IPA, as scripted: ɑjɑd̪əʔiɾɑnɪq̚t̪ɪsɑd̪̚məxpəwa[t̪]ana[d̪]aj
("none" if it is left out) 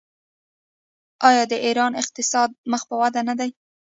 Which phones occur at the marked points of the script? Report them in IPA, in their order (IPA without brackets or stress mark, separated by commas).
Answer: d̪, d̪